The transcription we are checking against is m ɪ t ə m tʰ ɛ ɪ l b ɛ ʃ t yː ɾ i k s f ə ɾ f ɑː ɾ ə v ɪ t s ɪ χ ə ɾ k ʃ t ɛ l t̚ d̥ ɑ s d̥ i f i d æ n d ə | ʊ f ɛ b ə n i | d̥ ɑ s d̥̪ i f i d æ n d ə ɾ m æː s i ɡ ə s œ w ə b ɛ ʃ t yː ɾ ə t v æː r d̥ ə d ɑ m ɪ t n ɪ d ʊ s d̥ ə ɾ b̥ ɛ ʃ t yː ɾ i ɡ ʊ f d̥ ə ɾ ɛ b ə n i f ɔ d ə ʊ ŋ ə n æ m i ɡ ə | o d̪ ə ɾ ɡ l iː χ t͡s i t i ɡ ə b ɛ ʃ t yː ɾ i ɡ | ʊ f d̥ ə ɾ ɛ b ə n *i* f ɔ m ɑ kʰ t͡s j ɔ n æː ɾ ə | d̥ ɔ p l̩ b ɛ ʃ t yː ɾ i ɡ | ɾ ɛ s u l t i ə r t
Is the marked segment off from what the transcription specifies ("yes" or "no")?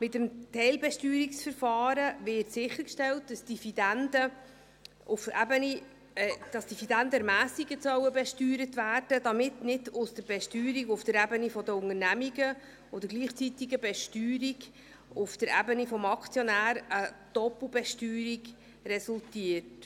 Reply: no